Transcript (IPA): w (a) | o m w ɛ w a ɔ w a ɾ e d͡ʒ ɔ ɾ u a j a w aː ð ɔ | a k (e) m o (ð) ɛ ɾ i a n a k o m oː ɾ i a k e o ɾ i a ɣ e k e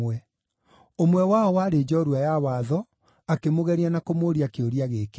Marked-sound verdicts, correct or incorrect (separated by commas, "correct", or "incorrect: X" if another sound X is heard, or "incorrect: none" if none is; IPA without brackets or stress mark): incorrect: ɛ, correct, incorrect: ɣ